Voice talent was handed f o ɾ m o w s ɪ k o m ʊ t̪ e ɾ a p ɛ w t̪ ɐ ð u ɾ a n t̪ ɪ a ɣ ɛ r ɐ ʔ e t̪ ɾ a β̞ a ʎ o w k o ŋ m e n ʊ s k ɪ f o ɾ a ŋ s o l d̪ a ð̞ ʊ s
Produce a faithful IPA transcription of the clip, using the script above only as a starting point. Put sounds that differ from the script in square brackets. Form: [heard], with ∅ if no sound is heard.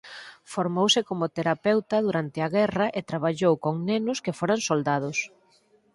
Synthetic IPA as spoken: f o ɾ m o w s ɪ k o m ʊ t̪ e ɾ a p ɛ w t̪ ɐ ð u ɾ a n t̪ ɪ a ɣ ɛ r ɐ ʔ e t̪ ɾ a β̞ a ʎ o w k o ŋ [n] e n ʊ s k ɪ f o ɾ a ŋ s o l d̪ a ð̞ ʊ s